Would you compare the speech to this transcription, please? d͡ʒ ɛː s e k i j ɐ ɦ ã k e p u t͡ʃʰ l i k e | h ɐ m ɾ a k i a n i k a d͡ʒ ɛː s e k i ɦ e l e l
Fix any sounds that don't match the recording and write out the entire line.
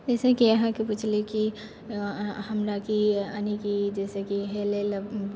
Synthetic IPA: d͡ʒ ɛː s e k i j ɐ ɦ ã k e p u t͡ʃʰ l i k i | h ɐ m ɾ a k i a n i k i d͡ʒ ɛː s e k i ɦ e l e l

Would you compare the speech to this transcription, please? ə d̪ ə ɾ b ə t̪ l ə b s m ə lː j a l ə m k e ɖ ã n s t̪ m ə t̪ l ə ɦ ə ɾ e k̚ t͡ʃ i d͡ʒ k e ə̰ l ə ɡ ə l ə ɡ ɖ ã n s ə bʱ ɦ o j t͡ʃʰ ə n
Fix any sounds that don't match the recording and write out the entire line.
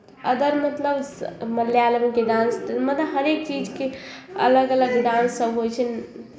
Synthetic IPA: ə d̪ ə ɾ m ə t̪ l ə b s m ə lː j a l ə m k e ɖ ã n s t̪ m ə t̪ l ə ɦ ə ɾ e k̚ t͡ʃ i d͡ʒ k e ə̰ l ə ɡ ə l ə ɡ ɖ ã n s ə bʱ ɦ o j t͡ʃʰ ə n

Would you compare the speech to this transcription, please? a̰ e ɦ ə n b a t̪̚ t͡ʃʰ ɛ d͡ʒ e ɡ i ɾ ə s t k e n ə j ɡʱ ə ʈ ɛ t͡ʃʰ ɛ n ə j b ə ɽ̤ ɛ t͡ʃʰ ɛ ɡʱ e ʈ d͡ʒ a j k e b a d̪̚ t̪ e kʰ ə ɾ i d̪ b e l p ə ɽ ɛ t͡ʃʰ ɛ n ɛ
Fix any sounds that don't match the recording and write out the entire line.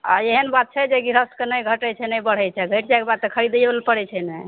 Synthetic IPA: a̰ e ɦ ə n b a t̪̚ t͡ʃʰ ɛ d͡ʒ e ɡ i ɾ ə s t k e n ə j ɡʱ ə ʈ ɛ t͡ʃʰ ɛ n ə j b ə ɽ̤ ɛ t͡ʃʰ ɛ ɡʱ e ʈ d͡ʒ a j k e b a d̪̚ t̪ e kʰ ə ɾ i d̪ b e l p ə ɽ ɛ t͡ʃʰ ɛ n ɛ

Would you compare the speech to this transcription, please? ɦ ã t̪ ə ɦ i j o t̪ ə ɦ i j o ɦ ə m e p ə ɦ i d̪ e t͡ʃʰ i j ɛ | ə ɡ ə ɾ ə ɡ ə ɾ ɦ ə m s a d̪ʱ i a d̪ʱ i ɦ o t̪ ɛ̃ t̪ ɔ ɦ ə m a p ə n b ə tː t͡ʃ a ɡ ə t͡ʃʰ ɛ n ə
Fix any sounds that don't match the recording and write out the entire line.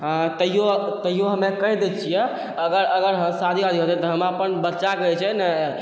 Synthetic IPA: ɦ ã t̪ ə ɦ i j o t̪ ə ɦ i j o ɦ ə m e k ə ɦ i d̪ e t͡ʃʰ i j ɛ | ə ɡ ə ɾ ə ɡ ə ɾ ɦ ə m s a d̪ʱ i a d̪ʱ i ɦ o t̪ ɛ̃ t̪ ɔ ɦ ə m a p ə n b ə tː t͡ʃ a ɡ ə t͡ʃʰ ɛ n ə

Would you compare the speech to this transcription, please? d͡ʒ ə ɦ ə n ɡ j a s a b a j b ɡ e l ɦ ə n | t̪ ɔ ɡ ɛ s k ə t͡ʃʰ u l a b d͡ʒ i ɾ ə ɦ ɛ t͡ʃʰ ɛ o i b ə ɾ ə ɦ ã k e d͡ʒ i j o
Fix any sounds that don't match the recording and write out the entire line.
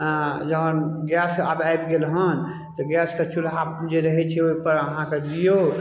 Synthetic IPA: d͡ʒ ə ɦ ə n ɡ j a s a b a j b ɡ e l ɦ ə n | t̪ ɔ ɡ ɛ s k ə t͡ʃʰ u l a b d͡ʒ e ɾ ə ɦ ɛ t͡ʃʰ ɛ o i p ə ɾ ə ɦ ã k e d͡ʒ i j o

